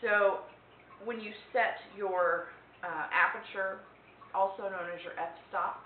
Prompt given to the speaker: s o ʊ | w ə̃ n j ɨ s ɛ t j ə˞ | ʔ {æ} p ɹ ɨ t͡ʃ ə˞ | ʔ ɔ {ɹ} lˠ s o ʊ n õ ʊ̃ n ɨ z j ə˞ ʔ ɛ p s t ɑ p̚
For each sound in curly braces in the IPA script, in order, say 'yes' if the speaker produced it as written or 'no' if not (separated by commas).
yes, no